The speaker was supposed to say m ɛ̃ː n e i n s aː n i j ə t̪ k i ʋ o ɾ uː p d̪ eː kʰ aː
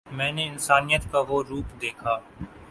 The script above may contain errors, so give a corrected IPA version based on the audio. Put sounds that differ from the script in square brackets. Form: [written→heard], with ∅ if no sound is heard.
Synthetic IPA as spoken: m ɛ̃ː n e [i→ɪ] n s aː n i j ə t̪ k [i→a] ʋ o ɾ uː p d̪ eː kʰ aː